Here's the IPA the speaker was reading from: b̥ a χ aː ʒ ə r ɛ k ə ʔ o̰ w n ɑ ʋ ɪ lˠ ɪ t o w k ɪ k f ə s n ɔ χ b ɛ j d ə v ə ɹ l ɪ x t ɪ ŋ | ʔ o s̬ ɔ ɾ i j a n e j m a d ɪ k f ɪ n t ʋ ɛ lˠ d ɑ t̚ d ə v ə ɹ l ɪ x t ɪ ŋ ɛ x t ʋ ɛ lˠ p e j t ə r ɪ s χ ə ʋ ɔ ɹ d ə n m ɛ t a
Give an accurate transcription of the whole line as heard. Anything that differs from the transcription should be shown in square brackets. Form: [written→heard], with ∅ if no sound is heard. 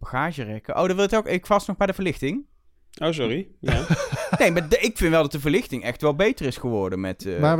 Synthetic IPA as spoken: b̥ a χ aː ʒ ə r ɛ k ə ʔ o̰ w [n→d] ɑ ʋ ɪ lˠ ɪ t o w k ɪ k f [ə→ɑ] s n ɔ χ b ɛ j d ə v ə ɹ l ɪ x t ɪ ŋ | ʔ o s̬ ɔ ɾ i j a n e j m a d ɪ k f ɪ n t ʋ ɛ lˠ d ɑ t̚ d ə v ə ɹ l ɪ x t ɪ ŋ ɛ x t ʋ ɛ lˠ [p→b] e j t ə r ɪ s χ ə ʋ ɔ ɹ d ə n m ɛ t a